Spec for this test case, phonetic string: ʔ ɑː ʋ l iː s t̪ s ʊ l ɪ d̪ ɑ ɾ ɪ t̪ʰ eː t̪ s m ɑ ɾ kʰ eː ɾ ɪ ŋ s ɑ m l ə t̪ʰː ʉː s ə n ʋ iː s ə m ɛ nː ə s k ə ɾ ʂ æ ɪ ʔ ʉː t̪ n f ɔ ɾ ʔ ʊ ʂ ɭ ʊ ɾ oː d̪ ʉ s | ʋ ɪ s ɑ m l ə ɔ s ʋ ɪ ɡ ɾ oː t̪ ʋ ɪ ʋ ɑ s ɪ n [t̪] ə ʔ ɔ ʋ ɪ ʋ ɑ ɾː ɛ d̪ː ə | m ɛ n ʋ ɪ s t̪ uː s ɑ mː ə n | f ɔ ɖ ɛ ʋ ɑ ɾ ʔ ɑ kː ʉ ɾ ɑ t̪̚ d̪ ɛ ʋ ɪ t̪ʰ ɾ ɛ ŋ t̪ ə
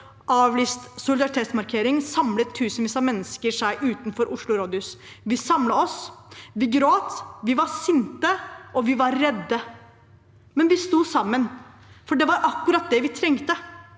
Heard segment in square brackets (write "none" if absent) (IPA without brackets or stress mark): t̪